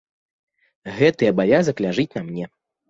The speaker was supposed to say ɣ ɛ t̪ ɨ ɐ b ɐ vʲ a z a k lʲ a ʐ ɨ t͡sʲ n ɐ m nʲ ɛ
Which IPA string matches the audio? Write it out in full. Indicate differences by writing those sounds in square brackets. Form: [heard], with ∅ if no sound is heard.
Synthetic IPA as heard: ɣ ɛ t̪ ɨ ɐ b [a] vʲ a z [ɐ] k lʲ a ʐ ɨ t͡sʲ n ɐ m nʲ ɛ

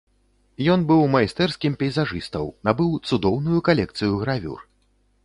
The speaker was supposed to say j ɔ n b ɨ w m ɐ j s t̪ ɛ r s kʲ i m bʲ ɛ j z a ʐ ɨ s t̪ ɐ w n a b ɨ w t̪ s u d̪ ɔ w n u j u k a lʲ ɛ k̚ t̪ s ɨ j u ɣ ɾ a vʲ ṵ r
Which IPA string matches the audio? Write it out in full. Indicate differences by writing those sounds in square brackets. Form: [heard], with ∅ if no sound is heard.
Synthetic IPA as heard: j ɔ n b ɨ w m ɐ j s t̪ ɛ r s kʲ i m [pʲ] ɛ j z a ʐ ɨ s t̪ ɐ w n a b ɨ w t̪ s u d̪ ɔ w n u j u k a lʲ ɛ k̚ t̪ s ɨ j u ɣ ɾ a vʲ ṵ r

